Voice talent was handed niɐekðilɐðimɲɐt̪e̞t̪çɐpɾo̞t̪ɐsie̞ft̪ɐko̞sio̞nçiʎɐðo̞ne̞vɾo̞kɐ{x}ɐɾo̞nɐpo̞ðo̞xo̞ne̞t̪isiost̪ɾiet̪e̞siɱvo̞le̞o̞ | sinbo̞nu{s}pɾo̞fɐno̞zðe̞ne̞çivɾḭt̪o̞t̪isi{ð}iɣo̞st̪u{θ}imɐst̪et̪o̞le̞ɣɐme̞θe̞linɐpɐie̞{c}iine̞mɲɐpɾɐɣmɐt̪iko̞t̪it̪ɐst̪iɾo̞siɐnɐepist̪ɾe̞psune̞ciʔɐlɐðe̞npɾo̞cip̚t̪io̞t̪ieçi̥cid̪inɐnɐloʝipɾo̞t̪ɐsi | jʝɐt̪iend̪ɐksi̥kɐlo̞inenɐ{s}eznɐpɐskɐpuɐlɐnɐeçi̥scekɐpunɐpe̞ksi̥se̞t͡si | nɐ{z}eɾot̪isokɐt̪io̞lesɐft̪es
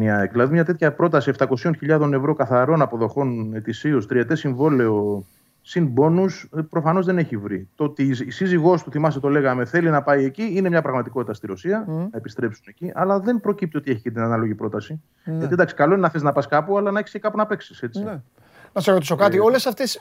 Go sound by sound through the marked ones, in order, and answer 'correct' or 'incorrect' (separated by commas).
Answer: incorrect, correct, incorrect, correct, correct, incorrect, incorrect